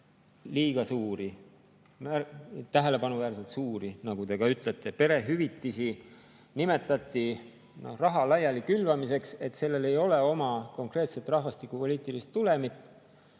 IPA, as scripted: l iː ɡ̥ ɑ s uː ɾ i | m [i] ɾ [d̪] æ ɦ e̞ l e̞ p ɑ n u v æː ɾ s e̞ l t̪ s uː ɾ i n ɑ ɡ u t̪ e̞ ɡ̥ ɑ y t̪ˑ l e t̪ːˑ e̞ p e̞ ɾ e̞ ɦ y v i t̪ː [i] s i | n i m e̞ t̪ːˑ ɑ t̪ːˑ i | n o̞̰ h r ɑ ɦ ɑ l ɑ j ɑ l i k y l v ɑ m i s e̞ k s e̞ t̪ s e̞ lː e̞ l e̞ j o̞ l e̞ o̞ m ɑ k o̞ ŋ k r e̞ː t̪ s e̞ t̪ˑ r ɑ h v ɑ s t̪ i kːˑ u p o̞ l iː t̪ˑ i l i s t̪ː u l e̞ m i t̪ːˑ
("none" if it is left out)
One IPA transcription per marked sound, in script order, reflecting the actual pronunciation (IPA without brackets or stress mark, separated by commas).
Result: æ, t̪, i